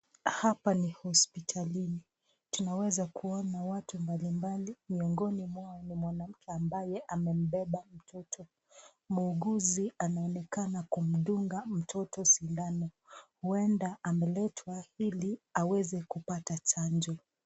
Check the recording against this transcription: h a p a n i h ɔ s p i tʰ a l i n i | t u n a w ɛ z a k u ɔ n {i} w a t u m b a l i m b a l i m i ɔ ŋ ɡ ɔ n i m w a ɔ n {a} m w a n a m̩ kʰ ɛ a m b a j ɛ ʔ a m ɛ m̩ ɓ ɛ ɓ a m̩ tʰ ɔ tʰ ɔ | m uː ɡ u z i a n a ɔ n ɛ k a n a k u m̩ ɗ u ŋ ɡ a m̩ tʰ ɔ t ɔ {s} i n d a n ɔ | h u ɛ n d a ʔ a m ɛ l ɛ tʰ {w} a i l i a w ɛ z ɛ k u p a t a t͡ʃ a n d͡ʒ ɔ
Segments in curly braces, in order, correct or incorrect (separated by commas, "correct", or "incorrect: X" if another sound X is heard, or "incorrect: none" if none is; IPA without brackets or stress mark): incorrect: a, incorrect: i, correct, correct